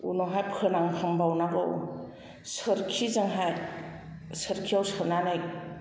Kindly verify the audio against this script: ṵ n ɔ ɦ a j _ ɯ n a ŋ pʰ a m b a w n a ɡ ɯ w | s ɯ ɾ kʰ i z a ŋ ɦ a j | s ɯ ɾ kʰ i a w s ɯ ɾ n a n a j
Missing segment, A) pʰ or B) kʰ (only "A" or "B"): A